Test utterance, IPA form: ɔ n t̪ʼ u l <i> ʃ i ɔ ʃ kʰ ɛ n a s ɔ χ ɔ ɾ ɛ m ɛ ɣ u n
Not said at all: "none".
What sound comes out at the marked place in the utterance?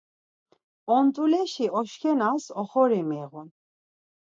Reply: ɛ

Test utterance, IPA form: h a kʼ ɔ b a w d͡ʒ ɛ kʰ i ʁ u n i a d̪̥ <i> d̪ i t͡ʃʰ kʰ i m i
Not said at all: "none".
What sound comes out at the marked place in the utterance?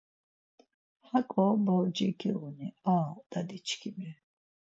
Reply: a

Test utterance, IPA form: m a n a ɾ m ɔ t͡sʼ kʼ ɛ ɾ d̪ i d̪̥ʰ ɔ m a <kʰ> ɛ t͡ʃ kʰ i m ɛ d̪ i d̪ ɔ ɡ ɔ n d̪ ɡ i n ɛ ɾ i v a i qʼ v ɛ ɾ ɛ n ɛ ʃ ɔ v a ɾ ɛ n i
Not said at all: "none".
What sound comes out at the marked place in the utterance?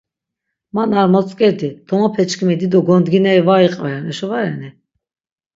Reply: pʰ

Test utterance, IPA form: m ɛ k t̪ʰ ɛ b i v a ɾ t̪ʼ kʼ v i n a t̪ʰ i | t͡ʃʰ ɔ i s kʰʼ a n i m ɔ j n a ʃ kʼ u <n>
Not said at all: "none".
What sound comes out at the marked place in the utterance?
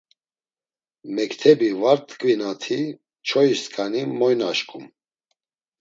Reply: m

